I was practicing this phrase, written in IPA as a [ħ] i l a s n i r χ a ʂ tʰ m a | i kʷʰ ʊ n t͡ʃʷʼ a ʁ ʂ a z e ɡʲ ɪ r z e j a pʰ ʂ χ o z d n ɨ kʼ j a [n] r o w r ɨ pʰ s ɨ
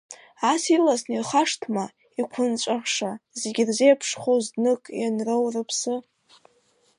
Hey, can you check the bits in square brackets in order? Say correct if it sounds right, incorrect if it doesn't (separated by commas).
incorrect, correct